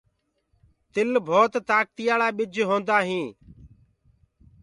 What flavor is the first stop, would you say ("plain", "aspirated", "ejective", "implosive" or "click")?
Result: plain